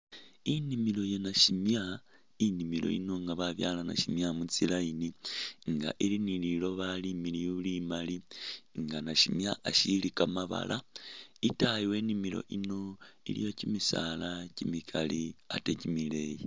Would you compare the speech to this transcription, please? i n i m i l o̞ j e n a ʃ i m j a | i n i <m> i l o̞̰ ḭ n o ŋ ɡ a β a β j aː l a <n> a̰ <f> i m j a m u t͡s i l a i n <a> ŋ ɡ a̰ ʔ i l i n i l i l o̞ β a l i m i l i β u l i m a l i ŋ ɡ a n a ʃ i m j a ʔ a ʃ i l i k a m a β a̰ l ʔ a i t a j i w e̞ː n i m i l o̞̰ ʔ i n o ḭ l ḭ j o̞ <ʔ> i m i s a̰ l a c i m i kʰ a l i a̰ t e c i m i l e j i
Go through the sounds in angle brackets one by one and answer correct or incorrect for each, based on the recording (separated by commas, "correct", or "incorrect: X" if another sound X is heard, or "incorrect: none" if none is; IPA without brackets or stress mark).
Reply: correct, correct, incorrect: ʃ, incorrect: i, incorrect: c